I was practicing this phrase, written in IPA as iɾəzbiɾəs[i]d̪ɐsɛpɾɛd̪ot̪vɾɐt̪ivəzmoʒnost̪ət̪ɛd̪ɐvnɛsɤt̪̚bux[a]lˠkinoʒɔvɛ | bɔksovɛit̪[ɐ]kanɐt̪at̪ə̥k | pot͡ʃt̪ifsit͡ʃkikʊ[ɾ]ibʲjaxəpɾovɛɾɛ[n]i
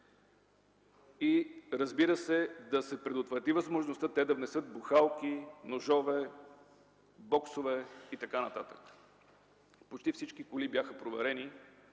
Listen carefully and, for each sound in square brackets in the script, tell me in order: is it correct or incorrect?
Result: incorrect: ɛ, correct, correct, incorrect: l, correct

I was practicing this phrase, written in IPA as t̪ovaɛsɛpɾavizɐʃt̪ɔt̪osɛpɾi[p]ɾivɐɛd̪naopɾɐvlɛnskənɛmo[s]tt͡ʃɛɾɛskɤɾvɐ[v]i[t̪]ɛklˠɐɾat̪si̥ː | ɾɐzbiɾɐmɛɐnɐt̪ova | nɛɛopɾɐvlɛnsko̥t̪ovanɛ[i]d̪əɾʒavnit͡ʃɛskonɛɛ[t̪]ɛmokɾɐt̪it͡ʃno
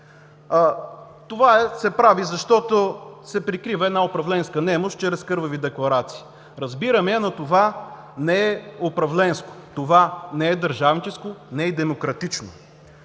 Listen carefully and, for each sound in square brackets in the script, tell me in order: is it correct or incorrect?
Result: incorrect: k, incorrect: ʃ, correct, incorrect: d̪, incorrect: ɛ, incorrect: d̪

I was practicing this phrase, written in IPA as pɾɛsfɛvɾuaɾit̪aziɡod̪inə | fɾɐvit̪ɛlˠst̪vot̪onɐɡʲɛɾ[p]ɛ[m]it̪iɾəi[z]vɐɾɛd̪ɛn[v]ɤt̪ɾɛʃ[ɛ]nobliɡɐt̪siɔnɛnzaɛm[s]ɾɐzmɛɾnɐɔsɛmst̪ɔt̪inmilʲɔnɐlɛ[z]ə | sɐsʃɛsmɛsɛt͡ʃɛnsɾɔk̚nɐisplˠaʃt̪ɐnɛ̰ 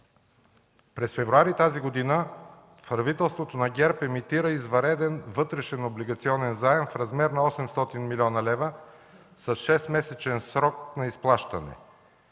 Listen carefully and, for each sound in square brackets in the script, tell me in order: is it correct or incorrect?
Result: correct, correct, correct, correct, correct, incorrect: f, incorrect: v

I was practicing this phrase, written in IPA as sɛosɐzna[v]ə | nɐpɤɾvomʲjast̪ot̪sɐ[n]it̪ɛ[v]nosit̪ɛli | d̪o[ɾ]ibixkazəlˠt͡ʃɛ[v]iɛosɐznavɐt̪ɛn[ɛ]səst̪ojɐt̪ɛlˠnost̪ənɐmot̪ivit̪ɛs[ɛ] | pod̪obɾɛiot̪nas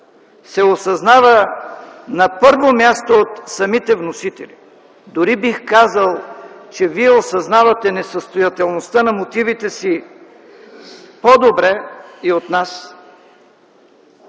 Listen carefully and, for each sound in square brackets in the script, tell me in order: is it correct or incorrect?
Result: correct, incorrect: m, correct, correct, correct, correct, incorrect: i

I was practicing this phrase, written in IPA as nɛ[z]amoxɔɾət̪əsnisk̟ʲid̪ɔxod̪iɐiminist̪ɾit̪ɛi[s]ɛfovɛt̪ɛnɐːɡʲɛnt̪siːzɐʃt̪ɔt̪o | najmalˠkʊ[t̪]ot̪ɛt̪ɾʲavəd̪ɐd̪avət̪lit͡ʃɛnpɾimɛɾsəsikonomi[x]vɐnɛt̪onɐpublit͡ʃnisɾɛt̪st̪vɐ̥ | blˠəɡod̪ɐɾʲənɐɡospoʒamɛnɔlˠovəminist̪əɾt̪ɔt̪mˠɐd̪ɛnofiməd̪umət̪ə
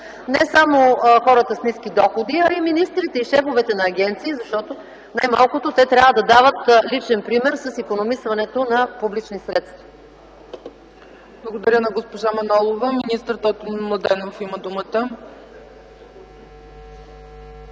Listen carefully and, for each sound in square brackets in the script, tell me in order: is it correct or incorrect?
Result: incorrect: s, incorrect: ʃ, correct, incorrect: s

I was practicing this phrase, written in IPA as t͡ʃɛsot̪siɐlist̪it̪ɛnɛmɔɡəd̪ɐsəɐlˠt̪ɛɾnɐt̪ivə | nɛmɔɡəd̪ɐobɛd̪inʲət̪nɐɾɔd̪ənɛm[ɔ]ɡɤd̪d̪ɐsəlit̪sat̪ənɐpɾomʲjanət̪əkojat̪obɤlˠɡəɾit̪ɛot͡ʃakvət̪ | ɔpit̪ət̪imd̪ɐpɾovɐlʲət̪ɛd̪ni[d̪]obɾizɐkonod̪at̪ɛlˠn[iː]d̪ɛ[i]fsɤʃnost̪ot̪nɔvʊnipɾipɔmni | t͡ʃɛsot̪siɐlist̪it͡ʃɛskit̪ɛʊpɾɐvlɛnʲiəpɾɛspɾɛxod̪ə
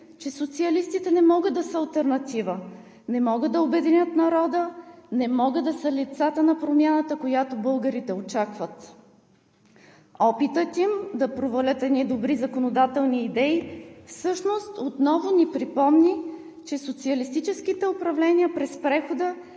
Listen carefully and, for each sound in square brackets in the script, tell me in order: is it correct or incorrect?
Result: correct, correct, correct, correct

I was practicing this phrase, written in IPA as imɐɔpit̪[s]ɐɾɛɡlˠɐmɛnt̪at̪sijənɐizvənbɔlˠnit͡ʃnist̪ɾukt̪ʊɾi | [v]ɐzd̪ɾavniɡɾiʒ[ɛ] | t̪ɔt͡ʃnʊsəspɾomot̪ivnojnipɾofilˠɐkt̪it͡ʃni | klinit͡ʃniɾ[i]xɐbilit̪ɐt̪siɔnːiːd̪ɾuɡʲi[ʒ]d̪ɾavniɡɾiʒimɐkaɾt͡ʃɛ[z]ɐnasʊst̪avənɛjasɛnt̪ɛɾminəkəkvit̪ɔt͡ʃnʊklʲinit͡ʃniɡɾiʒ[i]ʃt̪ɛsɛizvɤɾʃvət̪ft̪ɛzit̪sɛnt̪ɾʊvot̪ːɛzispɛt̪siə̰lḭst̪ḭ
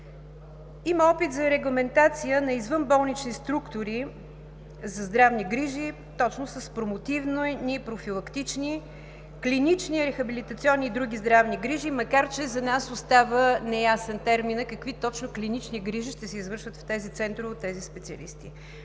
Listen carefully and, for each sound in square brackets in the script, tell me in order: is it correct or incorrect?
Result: incorrect: z, incorrect: z, incorrect: i, incorrect: ɛ, incorrect: z, correct, correct

